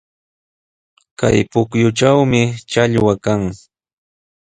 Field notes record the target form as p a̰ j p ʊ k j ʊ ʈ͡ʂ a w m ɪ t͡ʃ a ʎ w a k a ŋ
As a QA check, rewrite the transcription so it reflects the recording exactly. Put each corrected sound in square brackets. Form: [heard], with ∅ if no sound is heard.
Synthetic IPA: [k] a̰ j p ʊ k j ʊ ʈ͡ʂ a w m ɪ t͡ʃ a ʎ w a k a ŋ